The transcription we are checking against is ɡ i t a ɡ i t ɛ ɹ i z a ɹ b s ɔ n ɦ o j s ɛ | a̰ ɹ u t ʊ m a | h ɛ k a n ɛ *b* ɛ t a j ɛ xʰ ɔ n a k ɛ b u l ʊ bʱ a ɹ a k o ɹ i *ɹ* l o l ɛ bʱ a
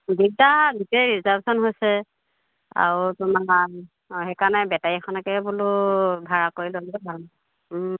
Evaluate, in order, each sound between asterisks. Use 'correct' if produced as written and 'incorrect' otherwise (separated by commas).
correct, incorrect